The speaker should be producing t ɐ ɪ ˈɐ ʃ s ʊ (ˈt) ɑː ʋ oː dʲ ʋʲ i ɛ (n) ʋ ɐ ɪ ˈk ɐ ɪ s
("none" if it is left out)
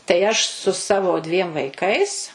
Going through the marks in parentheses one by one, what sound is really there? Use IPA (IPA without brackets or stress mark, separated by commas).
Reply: s, m